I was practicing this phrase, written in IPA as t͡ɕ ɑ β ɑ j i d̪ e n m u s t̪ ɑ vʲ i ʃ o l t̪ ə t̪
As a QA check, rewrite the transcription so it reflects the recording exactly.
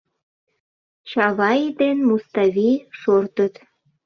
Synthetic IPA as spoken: t͡ɕ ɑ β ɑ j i d̪ e n m u s t̪ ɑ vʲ i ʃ o r t̪ ə t̪